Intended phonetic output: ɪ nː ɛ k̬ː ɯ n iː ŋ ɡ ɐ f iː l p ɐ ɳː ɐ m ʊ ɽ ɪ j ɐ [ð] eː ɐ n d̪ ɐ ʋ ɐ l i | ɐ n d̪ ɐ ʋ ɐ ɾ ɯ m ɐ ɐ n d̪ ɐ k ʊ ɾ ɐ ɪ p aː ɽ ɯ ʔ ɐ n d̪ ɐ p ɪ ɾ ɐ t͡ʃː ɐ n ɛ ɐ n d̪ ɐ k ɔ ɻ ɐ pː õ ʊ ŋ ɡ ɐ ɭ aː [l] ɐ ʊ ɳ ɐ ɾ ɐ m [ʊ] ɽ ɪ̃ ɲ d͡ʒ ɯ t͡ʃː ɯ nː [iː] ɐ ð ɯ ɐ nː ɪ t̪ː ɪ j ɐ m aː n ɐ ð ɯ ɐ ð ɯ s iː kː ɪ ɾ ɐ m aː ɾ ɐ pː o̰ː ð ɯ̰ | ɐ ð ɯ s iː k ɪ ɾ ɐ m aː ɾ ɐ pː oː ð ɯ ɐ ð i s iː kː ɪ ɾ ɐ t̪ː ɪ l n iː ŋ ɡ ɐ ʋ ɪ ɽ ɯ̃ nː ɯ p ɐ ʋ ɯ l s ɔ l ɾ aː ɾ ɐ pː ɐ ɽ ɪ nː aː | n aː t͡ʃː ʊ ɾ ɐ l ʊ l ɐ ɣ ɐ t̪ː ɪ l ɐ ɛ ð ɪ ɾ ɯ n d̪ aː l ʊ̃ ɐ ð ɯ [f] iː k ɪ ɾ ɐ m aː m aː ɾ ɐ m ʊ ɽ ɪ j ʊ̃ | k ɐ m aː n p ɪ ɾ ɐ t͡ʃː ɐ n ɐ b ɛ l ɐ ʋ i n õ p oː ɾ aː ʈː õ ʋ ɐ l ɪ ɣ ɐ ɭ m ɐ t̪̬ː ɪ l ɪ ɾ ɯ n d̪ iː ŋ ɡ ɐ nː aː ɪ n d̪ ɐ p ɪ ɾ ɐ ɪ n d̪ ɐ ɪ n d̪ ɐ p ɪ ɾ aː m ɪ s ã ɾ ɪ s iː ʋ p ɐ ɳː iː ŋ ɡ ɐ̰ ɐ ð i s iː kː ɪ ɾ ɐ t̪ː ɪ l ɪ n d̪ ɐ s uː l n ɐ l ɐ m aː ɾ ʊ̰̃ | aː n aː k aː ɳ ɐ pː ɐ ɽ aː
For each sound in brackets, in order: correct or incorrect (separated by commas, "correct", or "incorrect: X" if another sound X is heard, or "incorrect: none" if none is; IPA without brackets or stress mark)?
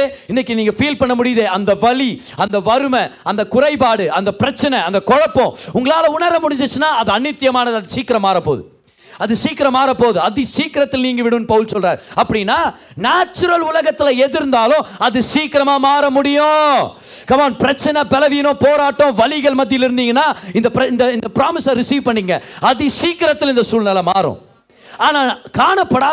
correct, correct, correct, incorrect: aː, incorrect: s